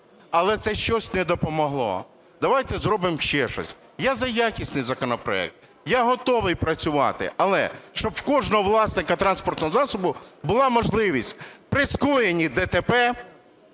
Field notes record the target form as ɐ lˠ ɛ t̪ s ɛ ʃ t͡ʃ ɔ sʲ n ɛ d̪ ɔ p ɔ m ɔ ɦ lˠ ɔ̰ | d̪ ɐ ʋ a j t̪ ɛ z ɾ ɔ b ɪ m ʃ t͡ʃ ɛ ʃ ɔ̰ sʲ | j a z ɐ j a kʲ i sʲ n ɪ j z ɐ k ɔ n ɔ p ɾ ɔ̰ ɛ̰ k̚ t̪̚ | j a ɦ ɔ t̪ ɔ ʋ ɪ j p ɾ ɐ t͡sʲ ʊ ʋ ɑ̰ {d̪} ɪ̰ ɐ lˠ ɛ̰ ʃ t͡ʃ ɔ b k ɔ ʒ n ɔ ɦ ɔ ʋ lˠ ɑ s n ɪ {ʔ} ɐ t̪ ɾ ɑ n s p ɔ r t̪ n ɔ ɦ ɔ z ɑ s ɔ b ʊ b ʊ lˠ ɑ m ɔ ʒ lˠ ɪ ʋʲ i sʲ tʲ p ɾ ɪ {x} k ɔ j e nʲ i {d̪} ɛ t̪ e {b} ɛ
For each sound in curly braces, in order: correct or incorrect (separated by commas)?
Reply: incorrect, incorrect, incorrect, correct, incorrect